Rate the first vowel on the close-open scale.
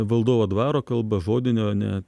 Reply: open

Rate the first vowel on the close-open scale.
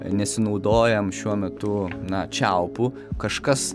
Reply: mid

